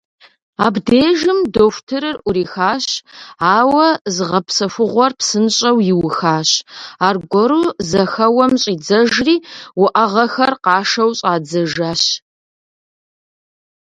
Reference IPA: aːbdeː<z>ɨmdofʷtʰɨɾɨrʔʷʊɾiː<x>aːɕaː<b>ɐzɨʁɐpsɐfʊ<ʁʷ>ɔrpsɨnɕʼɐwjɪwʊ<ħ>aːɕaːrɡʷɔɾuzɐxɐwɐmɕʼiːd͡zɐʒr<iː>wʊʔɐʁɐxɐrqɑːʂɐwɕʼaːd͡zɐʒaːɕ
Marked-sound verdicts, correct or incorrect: incorrect, correct, incorrect, correct, incorrect, correct

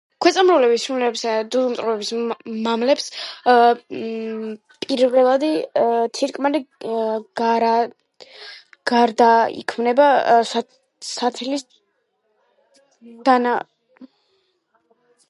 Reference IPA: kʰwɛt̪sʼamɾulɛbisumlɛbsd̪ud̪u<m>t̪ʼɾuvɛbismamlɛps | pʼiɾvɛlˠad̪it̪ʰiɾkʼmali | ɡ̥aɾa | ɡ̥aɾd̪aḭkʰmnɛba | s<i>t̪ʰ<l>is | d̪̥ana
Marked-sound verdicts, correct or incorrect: correct, incorrect, correct

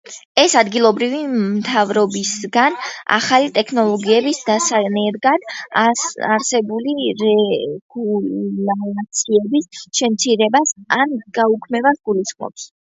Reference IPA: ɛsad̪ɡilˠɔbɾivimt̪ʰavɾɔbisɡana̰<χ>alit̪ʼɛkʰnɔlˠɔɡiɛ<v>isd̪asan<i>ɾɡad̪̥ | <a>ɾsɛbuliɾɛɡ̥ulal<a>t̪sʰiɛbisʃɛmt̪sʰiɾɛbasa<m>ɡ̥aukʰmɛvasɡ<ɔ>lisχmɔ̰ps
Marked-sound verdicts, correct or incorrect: correct, incorrect, incorrect, correct, correct, incorrect, incorrect

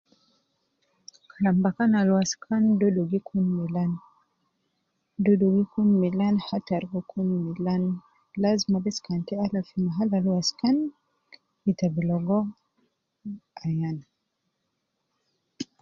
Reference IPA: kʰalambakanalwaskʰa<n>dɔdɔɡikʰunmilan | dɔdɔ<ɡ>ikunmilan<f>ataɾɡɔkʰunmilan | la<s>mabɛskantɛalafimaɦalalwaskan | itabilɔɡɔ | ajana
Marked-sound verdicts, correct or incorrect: correct, correct, incorrect, incorrect

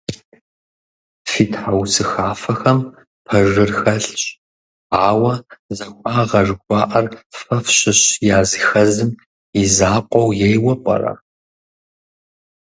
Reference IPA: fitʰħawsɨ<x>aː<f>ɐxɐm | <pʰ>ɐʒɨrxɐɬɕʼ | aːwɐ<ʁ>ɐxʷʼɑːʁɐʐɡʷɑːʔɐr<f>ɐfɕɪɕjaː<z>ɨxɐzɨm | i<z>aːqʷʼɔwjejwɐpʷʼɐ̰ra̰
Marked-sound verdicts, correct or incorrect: correct, correct, correct, incorrect, correct, correct, correct

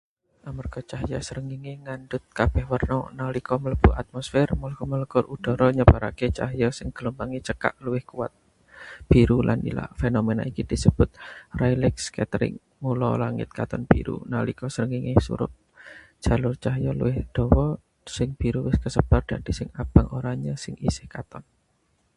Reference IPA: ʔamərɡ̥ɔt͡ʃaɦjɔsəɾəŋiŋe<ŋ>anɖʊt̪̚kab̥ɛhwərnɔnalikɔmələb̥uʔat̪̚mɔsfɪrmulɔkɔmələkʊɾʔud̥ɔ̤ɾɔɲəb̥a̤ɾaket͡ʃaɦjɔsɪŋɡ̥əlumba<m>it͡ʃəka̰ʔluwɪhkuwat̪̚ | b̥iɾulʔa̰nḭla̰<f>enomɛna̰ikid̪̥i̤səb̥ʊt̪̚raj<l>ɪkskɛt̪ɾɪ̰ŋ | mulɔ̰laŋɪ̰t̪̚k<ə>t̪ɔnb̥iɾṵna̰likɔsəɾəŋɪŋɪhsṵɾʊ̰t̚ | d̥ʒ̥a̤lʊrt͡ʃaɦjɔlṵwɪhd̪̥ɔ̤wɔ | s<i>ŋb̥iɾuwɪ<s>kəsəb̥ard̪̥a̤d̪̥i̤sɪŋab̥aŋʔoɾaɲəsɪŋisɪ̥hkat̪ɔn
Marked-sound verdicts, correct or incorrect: correct, incorrect, correct, correct, incorrect, incorrect, correct

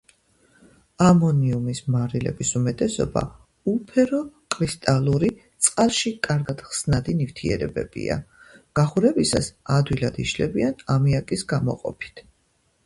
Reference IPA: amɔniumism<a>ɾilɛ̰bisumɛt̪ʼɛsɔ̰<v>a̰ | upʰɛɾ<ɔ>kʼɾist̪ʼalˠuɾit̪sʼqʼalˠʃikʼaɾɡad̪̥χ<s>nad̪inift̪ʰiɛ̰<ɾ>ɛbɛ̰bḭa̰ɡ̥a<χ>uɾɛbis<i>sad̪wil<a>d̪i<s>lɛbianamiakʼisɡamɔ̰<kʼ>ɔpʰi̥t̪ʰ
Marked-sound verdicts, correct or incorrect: correct, incorrect, correct, correct, correct, correct, incorrect, correct, incorrect, incorrect

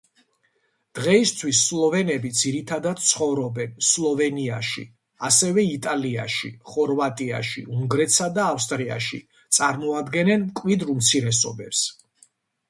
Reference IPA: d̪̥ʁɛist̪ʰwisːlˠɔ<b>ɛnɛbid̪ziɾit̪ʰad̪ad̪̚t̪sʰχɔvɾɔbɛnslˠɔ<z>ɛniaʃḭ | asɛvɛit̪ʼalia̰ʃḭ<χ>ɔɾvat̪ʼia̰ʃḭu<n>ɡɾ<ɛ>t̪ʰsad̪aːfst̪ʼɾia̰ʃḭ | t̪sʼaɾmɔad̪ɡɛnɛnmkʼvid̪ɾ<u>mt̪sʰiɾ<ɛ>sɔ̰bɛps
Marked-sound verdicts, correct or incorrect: incorrect, incorrect, correct, incorrect, correct, correct, correct

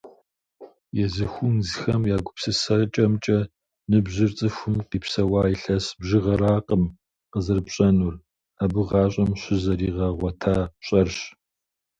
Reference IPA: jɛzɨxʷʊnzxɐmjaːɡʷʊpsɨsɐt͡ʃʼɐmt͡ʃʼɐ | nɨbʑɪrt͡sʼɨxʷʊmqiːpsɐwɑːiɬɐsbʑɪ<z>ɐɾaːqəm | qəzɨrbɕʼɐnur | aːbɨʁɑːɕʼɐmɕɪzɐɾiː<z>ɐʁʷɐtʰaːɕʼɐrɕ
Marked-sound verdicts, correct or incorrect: incorrect, incorrect

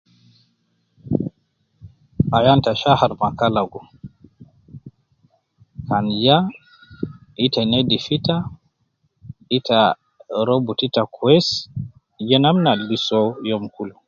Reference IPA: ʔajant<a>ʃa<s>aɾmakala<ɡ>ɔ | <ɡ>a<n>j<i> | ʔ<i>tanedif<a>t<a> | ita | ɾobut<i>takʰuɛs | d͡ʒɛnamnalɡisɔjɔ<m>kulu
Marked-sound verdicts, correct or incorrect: correct, incorrect, correct, incorrect, correct, incorrect, correct, incorrect, correct, correct, correct

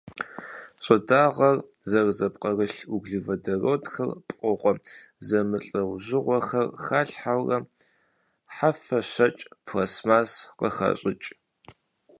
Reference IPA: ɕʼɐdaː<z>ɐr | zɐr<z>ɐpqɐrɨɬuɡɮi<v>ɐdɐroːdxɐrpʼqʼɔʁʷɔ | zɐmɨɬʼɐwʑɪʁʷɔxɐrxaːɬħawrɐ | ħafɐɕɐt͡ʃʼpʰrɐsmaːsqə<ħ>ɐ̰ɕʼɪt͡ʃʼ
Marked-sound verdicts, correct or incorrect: incorrect, correct, correct, incorrect

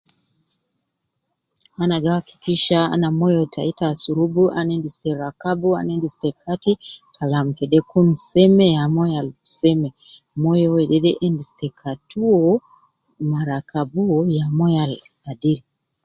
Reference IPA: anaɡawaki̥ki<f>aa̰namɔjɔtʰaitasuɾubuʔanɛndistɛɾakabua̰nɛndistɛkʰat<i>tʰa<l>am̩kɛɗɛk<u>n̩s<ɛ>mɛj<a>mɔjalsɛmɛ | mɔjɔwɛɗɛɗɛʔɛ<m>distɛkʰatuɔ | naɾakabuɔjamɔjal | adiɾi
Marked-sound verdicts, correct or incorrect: incorrect, correct, correct, correct, correct, correct, incorrect

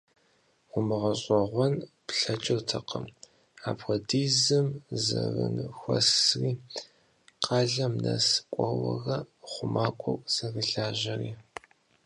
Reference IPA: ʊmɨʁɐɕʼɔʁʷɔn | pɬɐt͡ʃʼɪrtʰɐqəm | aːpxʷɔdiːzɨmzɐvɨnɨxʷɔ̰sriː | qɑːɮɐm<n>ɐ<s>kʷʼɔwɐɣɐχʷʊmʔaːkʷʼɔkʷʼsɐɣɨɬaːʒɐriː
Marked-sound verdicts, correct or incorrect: correct, correct

